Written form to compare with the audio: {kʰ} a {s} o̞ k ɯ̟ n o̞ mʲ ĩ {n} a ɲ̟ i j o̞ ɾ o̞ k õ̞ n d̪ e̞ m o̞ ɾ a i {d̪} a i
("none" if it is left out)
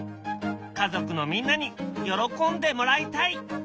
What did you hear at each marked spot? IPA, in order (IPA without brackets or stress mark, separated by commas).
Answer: k, z, nː, t̪